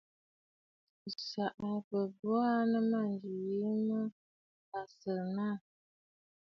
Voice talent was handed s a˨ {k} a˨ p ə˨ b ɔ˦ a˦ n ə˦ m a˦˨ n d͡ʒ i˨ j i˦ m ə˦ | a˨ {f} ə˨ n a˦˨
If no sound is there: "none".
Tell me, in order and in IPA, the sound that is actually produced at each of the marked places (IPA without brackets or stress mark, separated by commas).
ʔ, s